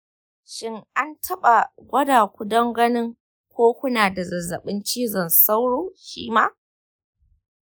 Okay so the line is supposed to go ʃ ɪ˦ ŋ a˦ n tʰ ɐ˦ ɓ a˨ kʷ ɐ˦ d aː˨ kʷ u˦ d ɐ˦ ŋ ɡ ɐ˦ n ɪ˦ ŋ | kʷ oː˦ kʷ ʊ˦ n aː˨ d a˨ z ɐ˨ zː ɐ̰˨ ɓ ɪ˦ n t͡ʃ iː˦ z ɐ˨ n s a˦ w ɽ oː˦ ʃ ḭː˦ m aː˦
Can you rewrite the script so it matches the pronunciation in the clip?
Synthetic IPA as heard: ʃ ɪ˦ ŋ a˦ n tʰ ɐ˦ ɓ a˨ ɡʷ ɐ˦ d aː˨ kʷ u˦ d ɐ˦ ŋ ɡ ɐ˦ n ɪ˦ ŋ | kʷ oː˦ kʷ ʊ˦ n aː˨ d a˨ z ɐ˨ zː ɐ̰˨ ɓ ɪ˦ n t͡ʃ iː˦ z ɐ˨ n s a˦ w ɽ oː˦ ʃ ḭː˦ m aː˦